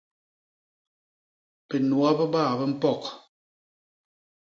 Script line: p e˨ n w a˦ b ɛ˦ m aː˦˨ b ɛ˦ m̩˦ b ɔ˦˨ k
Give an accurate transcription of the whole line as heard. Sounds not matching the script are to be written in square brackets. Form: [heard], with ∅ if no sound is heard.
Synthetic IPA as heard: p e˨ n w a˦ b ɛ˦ [b] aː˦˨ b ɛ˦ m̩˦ [p] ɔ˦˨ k